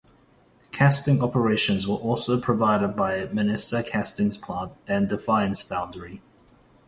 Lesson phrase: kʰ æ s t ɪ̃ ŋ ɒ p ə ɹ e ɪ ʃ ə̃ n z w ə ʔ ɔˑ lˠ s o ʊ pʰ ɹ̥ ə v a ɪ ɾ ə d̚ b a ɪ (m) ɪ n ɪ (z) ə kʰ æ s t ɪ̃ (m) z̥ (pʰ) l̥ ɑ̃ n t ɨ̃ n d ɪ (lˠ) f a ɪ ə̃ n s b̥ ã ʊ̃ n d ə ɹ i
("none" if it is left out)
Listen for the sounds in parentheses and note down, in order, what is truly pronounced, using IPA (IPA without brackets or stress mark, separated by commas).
m, s, ŋ, pʰ, none